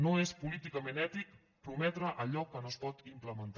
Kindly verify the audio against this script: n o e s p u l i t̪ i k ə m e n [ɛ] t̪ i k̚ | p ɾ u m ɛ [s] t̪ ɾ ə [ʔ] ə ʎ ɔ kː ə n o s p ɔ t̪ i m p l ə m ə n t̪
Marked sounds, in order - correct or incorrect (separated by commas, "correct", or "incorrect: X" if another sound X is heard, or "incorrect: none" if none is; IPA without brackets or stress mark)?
correct, incorrect: none, correct